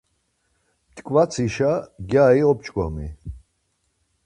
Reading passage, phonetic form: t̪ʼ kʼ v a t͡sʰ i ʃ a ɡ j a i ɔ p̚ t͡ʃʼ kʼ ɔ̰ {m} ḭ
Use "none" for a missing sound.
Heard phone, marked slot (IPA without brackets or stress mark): m